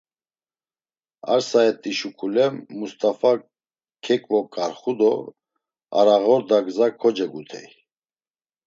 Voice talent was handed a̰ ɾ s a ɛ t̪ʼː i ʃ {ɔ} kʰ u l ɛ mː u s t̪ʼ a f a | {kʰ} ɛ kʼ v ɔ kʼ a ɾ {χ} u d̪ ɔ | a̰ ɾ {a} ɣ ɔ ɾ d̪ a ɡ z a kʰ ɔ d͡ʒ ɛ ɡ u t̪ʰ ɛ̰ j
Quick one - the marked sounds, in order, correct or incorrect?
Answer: incorrect: u, correct, correct, correct

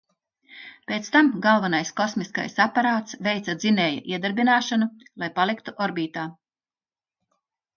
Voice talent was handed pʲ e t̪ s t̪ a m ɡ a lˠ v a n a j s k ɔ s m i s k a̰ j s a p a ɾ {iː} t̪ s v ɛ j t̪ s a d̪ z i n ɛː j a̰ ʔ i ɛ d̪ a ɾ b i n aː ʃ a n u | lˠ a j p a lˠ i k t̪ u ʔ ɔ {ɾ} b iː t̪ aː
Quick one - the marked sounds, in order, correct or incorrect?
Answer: incorrect: aː, correct

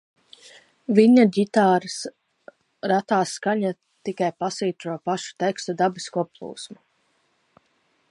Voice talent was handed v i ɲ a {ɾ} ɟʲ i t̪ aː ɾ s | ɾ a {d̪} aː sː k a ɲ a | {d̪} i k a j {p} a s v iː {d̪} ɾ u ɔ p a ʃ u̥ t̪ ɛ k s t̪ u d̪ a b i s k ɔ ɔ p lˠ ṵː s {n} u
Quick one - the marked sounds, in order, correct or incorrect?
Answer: incorrect: none, incorrect: t̪, incorrect: t̪, correct, incorrect: t̪, incorrect: m

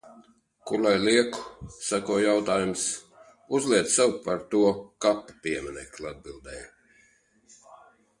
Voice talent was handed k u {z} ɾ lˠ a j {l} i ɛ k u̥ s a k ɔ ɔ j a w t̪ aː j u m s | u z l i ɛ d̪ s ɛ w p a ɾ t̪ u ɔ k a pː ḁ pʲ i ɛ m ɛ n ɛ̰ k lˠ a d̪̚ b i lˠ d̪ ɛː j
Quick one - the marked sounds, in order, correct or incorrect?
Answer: incorrect: none, correct

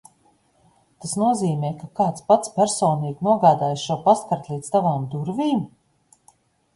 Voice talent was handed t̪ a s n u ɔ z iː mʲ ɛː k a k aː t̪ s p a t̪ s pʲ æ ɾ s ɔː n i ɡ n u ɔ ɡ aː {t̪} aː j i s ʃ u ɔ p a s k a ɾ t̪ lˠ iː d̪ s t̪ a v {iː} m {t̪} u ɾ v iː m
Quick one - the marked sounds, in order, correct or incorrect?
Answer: incorrect: d̪, incorrect: aː, incorrect: d̪

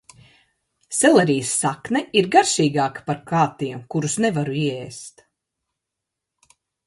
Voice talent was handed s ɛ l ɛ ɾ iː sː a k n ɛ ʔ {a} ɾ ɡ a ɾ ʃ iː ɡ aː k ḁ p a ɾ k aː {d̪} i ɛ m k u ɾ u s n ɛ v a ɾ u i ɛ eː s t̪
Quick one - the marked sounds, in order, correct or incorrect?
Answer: incorrect: i, incorrect: t̪

